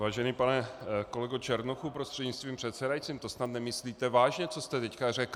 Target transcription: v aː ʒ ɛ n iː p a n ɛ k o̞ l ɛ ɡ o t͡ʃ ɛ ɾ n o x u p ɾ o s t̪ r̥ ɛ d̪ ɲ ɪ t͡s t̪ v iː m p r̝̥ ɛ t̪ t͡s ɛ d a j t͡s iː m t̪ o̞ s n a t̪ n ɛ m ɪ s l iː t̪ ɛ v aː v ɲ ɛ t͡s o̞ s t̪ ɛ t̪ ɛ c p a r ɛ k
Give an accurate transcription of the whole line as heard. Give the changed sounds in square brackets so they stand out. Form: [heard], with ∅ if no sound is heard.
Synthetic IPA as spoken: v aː ʒ ɛ n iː p a n ɛ k o̞ l ɛ ɡ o t͡ʃ ɛ ɾ n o x u p ɾ o s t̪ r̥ ɛ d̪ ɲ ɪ t͡s t̪ v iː m p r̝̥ ɛ t̪ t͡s ɛ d a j t͡s iː m t̪ o̞ s n a t̪ n ɛ m ɪ s l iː t̪ ɛ v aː [ʒ] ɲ ɛ t͡s o̞ s t̪ ɛ t̪ ɛ c [k] a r ɛ k